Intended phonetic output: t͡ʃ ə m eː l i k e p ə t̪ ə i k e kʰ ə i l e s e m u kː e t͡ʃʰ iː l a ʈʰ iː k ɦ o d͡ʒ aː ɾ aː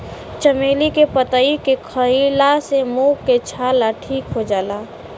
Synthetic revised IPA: t͡ʃ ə m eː l i k e p ə t̪ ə i k e kʰ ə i l a s e m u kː e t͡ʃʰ aː l a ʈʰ iː k ɦ o d͡ʒ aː l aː